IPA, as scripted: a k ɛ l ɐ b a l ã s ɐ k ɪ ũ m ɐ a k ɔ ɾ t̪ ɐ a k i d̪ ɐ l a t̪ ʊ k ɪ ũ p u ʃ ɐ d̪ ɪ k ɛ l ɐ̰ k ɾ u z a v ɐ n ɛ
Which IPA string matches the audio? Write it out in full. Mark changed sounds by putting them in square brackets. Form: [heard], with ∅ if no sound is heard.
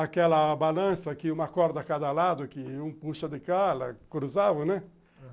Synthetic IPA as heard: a k ɛ l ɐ b a l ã s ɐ k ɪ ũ m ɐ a k ɔ ɾ [d̪] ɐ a k [a] d̪ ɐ l a [d̪] ʊ k ɪ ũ p u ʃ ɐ d̪ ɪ k [a] l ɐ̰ k ɾ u z a v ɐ n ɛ